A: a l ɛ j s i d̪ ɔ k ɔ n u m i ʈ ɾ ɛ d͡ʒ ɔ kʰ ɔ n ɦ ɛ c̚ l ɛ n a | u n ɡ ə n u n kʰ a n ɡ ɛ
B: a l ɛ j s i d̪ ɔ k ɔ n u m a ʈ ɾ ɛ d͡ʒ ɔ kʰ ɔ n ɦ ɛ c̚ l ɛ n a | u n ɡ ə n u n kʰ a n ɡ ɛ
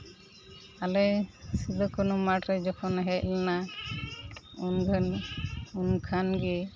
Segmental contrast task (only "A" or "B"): B